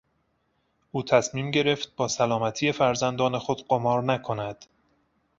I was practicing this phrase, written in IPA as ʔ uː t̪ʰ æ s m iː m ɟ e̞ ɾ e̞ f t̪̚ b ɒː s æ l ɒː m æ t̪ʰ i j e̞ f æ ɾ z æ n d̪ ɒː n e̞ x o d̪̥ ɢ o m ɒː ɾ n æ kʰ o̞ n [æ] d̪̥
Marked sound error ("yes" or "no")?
no